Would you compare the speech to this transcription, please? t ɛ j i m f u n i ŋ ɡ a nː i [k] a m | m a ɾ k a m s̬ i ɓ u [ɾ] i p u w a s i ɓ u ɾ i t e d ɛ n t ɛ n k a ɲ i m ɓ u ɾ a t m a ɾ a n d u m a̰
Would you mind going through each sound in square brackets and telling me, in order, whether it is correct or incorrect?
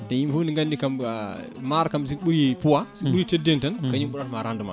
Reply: correct, correct

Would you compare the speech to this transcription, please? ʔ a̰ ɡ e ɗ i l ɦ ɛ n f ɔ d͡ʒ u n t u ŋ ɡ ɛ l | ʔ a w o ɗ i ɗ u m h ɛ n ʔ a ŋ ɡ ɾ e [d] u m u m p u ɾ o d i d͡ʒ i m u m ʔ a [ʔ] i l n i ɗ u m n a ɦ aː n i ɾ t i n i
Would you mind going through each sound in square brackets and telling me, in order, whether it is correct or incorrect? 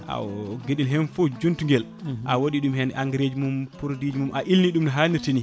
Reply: incorrect: d͡ʒ, correct

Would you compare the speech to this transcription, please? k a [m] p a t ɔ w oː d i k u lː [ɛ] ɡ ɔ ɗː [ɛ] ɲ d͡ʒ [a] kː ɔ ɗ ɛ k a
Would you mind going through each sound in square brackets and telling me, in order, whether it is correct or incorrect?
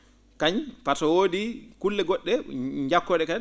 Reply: incorrect: ɲ, correct, correct, correct

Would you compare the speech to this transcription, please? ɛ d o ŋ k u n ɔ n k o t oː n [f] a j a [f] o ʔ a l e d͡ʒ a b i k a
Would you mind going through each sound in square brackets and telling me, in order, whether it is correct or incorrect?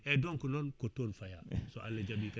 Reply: correct, incorrect: s

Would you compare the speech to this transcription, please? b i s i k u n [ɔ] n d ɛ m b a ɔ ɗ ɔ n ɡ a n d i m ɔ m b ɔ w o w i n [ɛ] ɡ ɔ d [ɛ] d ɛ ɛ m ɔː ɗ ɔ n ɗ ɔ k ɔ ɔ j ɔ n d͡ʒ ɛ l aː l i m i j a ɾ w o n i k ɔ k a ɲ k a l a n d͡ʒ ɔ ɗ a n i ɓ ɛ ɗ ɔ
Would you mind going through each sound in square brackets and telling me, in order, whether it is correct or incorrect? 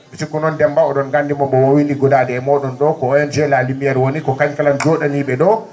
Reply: correct, incorrect: i, incorrect: a

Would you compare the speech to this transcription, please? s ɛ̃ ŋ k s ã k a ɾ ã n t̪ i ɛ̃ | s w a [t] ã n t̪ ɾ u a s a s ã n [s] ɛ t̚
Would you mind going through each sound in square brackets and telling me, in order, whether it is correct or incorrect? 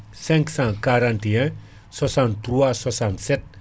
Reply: incorrect: s, correct

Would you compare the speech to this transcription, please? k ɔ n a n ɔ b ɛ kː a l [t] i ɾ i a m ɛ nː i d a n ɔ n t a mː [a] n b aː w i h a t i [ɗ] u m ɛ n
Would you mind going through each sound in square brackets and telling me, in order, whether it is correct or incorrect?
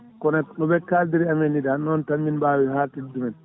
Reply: incorrect: d, incorrect: i, incorrect: d

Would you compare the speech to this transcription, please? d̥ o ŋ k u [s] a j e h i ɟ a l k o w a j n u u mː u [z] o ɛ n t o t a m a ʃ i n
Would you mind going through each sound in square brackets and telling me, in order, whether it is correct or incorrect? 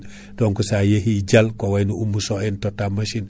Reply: correct, incorrect: s

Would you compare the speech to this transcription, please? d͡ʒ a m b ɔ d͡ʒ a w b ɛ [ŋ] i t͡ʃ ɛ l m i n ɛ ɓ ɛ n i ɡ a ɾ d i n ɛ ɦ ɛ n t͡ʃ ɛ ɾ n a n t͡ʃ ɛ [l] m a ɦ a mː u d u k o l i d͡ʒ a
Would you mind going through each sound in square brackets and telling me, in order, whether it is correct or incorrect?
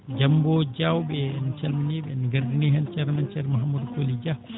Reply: incorrect: n, incorrect: ɾ

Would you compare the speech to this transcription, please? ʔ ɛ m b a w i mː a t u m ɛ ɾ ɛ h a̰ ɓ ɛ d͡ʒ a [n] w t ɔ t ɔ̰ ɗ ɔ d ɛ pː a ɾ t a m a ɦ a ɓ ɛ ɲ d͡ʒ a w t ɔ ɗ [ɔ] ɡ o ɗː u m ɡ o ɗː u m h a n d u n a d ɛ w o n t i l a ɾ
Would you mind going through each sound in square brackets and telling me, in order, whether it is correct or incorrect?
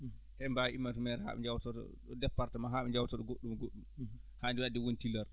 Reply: incorrect: none, correct

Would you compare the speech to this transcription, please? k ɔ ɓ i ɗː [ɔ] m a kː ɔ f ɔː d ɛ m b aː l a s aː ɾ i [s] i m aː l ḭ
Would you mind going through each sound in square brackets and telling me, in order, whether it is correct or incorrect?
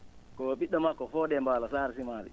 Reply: correct, correct

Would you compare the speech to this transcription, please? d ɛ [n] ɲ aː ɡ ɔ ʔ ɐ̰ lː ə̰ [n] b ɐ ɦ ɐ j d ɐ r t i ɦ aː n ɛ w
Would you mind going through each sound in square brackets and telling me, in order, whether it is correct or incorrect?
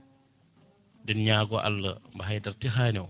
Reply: correct, incorrect: m

